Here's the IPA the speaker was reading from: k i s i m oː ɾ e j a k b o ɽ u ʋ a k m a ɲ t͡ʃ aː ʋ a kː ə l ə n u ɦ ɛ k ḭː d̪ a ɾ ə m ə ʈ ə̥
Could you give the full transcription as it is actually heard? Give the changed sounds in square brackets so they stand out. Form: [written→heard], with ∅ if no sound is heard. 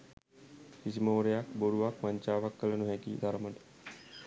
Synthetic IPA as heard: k i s i m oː ɾ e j a k b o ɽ u ʋ a k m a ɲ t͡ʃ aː ʋ a kː ə l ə n u ɦ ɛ k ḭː d̪ a ɾ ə m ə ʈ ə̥